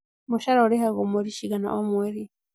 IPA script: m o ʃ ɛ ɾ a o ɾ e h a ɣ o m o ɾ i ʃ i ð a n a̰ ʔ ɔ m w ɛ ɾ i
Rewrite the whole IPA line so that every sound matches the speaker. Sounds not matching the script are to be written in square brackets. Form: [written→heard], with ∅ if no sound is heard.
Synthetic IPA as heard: m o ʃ [ɛ→a] ɾ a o ɾ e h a ɣ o m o ɾ i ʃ i [ð→ɣ] a n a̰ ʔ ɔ m w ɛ ɾ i

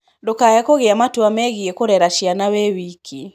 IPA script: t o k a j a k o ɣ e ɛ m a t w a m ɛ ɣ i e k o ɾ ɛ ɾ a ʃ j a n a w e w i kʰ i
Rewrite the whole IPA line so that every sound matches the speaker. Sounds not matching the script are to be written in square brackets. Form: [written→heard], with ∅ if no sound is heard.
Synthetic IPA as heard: [t→d] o k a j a k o ɣ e [ɛ→a] m a t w a m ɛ ɣ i e k o ɾ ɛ ɾ a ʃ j a n a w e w i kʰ i

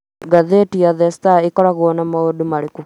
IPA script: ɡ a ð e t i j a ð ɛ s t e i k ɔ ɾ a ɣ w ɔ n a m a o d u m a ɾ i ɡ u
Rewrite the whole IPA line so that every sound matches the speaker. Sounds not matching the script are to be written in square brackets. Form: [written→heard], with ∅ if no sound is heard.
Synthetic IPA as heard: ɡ a ð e t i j a ð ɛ s t [e→a] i k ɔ ɾ a ɣ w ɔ n a m a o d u m a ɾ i [ɡ→k] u

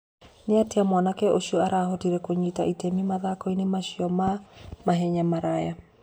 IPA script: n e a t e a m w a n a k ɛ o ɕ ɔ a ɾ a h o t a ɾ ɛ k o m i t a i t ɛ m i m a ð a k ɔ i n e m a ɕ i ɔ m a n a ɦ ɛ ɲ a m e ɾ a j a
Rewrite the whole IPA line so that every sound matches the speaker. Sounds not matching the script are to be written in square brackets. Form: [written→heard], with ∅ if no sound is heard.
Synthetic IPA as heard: n e a t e a m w a n a k ɛ o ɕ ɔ a ɾ a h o t [a→i] ɾ ɛ k o [m→ɲ] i t a i t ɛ m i m a ð a k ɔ i n e m a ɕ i ɔ m a [n→m] a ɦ ɛ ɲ a m [e→a] ɾ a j a

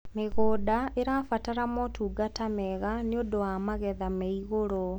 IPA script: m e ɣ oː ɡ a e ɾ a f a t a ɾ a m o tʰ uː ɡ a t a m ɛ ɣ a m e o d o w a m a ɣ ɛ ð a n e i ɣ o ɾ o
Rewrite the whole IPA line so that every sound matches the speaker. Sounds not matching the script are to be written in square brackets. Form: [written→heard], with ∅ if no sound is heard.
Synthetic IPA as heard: m e ɣ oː [ɡ→d] a e ɾ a f a t a ɾ a m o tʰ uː ɡ a t a m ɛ ɣ a [m→n] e o d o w a m a ɣ ɛ ð a [n→m] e i ɣ o ɾ o

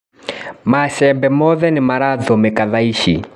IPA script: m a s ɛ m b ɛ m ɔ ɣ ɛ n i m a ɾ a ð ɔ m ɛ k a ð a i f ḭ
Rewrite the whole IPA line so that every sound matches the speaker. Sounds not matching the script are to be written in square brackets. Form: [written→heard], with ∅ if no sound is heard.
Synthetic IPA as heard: m a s ɛ m b ɛ m ɔ [ɣ→ð] ɛ n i m a ɾ a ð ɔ m ɛ k a ð a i [f→ʃ] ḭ

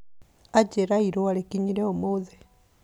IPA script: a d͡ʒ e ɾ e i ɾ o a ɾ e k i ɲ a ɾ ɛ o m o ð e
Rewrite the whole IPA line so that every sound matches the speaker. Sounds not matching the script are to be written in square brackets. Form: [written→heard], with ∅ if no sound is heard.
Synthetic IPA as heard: a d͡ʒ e ɾ [e→a] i ɾ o a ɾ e k i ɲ [a→i] ɾ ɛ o m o ð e

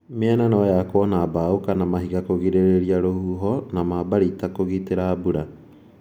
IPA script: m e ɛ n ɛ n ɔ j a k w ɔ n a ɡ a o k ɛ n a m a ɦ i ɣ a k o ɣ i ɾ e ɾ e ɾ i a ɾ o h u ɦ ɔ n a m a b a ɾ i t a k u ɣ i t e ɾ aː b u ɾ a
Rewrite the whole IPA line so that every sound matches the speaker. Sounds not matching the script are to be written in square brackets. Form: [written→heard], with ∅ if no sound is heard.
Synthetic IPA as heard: m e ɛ n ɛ n ɔ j a k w ɔ n a [ɡ→b] a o k [ɛ→a] n a m a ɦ i ɣ a k o ɣ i ɾ e ɾ e ɾ i a ɾ o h u ɦ ɔ n a m a b a ɾ i t a k [u→o] ɣ i t e ɾ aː b u ɾ a

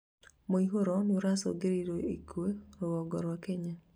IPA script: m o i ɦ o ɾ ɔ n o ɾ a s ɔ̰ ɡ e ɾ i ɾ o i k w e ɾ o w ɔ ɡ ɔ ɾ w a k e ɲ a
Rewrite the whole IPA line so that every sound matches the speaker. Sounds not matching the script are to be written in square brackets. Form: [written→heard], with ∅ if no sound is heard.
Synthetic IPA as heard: m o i ɦ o ɾ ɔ n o ɾ a s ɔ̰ ɡ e ɾ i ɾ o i k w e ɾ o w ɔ ɡ ɔ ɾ w a k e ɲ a

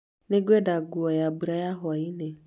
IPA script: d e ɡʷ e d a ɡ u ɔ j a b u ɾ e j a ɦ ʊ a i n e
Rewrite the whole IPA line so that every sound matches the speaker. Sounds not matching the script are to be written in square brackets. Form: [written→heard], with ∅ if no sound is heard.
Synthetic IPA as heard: [d→n] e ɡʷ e d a ɡ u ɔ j a b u ɾ [e→a] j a ɦ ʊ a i n e

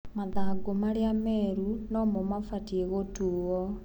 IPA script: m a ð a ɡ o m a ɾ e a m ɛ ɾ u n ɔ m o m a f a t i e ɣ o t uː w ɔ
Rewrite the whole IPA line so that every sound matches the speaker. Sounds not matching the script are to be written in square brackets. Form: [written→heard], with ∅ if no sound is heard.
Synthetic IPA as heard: m a ð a ɡ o m a ɾ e a m ɛ ɾ u n ɔ m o m a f a t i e ɣ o t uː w ɔ

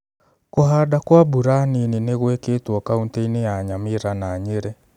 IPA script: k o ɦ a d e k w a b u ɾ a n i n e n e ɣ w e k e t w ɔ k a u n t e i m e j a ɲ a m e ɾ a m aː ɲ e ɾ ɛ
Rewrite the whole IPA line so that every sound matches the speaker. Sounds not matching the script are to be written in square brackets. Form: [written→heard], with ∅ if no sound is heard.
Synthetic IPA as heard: k o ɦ a d [e→a] k w a b u ɾ a n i n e n e ɣ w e k e t w ɔ k a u n t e i [m→n] e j a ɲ a m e ɾ a [m→n] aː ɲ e ɾ ɛ

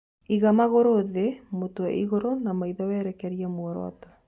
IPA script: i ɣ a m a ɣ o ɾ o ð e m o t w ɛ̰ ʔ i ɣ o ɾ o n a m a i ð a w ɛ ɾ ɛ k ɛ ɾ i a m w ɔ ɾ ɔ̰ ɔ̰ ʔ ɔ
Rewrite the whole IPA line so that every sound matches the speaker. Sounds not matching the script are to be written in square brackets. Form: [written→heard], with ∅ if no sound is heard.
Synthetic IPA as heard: i ɣ a m a ɣ o ɾ o ð e m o t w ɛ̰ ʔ i ɣ o ɾ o n a m a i ð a w ɛ ɾ ɛ k ɛ ɾ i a m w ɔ ɾ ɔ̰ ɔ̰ [ʔ→t] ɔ

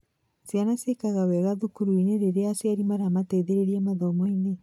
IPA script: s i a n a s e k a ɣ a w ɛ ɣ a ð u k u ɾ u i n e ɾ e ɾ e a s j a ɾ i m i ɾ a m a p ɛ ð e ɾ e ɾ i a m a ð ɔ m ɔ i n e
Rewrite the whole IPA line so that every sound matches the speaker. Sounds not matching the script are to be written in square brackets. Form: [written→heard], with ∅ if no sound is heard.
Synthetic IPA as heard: s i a n a s e k a ɣ a w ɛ ɣ a ð u k u ɾ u i n e ɾ e ɾ e a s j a ɾ i m [i→a] ɾ a m a [p→t] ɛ ð e ɾ e ɾ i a m a ð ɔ m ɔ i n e

